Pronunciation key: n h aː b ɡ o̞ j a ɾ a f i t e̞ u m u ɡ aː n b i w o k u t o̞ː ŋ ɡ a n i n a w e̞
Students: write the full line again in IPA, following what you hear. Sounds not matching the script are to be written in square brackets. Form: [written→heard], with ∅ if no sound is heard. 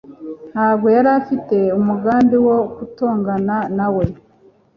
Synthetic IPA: n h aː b ɡ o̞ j a ɾ a f i t e̞ u m u ɡ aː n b i w o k u t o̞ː ŋ ɡ a n [i→a] n a w e̞